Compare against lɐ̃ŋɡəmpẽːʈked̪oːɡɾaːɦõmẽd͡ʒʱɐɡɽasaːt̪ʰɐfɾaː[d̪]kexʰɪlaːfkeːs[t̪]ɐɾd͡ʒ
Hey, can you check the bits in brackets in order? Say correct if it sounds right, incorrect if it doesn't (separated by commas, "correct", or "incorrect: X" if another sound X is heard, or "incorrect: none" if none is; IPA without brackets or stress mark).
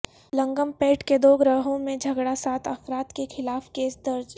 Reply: incorrect: t̪, incorrect: d̪